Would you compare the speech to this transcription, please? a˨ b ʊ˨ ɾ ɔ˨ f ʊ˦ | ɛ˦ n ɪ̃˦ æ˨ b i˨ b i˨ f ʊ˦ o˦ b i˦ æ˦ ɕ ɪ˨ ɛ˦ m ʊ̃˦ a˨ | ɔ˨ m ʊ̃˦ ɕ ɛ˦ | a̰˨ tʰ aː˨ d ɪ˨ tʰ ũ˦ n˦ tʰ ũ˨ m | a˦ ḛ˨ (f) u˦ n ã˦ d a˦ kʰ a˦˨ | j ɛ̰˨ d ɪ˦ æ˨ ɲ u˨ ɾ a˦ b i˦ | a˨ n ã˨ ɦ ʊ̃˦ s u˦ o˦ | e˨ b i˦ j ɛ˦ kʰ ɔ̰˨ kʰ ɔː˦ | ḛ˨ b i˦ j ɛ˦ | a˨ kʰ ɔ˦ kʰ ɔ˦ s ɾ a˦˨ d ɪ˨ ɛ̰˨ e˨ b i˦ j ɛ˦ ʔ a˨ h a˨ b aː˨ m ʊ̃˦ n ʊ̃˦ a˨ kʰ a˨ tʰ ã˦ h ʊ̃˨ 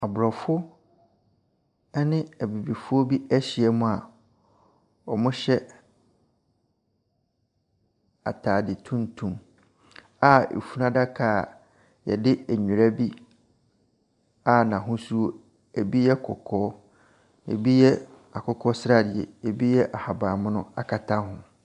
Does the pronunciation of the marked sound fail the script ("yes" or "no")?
no